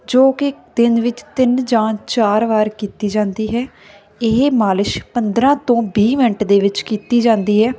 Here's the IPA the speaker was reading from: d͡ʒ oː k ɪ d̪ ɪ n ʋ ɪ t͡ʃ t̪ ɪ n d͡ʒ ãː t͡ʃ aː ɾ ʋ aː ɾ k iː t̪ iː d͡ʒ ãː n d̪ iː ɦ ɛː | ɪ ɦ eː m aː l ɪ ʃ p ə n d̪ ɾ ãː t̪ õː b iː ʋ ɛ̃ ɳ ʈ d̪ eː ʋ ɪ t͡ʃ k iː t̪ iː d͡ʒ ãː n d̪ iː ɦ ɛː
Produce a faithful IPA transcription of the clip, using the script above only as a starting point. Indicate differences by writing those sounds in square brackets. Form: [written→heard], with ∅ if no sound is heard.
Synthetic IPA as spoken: d͡ʒ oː k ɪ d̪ ɪ n ʋ ɪ t͡ʃ t̪ ɪ n d͡ʒ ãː t͡ʃ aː ɾ ʋ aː ɾ k iː t̪ iː d͡ʒ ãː n d̪ iː ɦ ɛː | ɪ ɦ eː m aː l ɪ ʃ p ə n d̪ ɾ ãː t̪ õː b iː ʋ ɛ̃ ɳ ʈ d̪ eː ʋ ɪ t͡ʃ k iː t̪ iː d͡ʒ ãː n d̪ iː ɦ ɛː

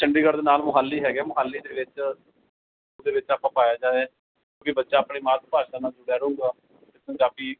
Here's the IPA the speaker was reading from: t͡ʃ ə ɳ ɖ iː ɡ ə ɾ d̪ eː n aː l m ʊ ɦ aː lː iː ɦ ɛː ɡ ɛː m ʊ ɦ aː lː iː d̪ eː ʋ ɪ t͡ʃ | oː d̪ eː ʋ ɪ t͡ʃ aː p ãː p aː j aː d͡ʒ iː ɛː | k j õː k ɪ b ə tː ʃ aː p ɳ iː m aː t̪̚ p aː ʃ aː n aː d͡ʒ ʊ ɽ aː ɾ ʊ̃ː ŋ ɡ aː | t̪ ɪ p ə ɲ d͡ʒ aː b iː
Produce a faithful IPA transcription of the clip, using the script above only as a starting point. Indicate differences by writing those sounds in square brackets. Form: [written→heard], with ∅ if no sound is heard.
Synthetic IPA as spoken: t͡ʃ ə ɳ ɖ iː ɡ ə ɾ d̪ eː n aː l m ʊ ɦ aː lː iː ɦ ɛː ɡ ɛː m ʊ ɦ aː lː iː d̪ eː ʋ ɪ t͡ʃ | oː d̪ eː ʋ ɪ t͡ʃ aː p ãː p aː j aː d͡ʒ [iː→aː] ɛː | k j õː k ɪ b ə tː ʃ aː p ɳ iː m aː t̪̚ p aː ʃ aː n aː d͡ʒ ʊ ɽ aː ɾ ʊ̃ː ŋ ɡ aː | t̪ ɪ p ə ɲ d͡ʒ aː b iː

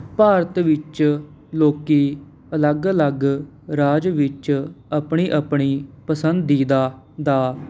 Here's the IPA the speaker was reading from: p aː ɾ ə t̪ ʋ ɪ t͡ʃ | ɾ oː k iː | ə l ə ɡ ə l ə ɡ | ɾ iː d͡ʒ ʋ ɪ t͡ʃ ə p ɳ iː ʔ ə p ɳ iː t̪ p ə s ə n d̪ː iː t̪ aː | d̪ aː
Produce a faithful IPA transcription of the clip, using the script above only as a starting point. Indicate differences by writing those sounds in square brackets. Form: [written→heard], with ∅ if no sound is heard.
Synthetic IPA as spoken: p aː ɾ ə t̪ ʋ ɪ t͡ʃ | [ɾ→l] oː k iː | ə l ə ɡ ə l ə ɡ | ɾ [iː→aː] d͡ʒ ʋ ɪ t͡ʃ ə p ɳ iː ʔ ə p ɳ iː [t̪→∅] p ə s ə n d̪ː iː [t̪→d̪] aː | d̪ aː

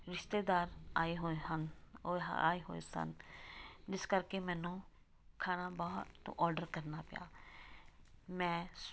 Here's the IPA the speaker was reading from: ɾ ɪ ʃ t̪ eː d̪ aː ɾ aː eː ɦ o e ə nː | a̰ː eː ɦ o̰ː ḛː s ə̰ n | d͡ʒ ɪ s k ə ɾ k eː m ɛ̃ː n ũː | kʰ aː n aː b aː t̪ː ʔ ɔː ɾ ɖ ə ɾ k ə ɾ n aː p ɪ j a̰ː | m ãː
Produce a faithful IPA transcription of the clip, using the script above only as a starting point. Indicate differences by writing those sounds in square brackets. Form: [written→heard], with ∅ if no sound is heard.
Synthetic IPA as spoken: ɾ ɪ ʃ t̪ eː d̪ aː ɾ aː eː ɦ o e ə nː | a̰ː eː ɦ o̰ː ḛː s ə̰ n | d͡ʒ ɪ s k ə ɾ k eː m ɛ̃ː n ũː | kʰ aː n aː b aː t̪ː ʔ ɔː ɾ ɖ ə ɾ k ə ɾ n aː p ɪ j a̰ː | m [ãː→ɛ̃ː]

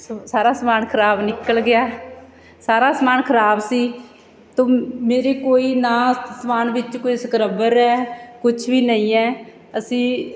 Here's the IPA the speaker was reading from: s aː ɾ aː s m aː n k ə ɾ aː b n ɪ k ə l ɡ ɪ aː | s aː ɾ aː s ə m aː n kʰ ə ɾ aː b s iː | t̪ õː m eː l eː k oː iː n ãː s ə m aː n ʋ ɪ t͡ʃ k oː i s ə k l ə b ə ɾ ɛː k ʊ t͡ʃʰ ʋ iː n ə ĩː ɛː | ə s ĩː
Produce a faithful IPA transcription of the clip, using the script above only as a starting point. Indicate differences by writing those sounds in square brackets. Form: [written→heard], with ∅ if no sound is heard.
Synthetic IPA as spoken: s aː ɾ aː s m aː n [k→kʰ] ə ɾ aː b n ɪ k ə l ɡ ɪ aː | s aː ɾ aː s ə m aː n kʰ ə ɾ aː b s iː | t̪ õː m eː [l→ɾ] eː k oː iː n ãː s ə m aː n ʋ ɪ t͡ʃ k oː i s ə k [l→ɾ] ə b ə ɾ ɛː k ʊ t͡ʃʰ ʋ iː n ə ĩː ɛː | ə s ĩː

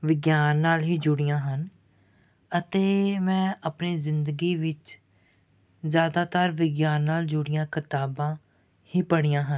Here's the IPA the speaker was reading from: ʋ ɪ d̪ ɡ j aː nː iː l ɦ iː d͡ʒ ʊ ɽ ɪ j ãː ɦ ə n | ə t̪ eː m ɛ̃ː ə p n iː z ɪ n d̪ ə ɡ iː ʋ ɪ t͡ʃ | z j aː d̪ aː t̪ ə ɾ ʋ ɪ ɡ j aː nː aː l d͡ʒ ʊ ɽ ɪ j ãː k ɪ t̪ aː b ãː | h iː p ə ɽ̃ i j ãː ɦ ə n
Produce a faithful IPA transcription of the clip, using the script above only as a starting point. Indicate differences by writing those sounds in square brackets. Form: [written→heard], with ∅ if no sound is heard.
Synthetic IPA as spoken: ʋ ɪ [d̪→∅] ɡ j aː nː [iː→aː] l ɦ iː d͡ʒ ʊ ɽ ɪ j ãː ɦ ə n | ə t̪ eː m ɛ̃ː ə p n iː z ɪ n d̪ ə ɡ iː ʋ ɪ t͡ʃ | z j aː d̪ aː t̪ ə ɾ ʋ ɪ ɡ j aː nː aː l d͡ʒ ʊ ɽ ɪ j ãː k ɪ t̪ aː b ãː | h iː p ə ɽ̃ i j ãː ɦ ə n

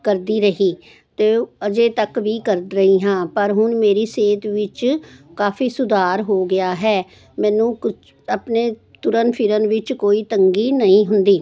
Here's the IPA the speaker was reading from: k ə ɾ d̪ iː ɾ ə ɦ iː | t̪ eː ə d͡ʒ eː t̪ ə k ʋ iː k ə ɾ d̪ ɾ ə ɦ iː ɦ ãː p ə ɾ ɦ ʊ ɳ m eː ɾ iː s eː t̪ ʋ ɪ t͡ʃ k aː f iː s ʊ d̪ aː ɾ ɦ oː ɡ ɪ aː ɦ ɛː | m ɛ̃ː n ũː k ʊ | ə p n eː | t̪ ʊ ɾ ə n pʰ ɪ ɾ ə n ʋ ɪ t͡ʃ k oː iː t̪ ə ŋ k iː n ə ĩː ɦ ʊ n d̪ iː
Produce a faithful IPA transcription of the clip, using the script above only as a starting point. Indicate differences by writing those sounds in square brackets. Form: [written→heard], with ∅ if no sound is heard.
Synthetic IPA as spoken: k ə ɾ d̪ iː ɾ ə ɦ iː | t̪ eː ə d͡ʒ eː t̪ ə k ʋ iː k ə ɾ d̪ ɾ ə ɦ iː ɦ ãː p ə ɾ ɦ ʊ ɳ m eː ɾ iː s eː t̪ ʋ ɪ t͡ʃ k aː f iː s ʊ d̪ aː ɾ ɦ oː ɡ ɪ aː ɦ ɛː | m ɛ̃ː n ũː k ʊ | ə p n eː | t̪ ʊ ɾ ə n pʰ ɪ ɾ ə n ʋ ɪ t͡ʃ k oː iː t̪ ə ŋ [k→ɡ] iː n ə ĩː ɦ ʊ n d̪ iː

